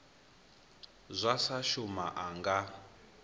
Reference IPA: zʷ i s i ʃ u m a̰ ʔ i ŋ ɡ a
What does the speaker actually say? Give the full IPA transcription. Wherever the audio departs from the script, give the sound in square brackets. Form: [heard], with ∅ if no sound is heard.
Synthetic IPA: zʷ [a] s [a] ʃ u m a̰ ʔ [a] ŋ ɡ a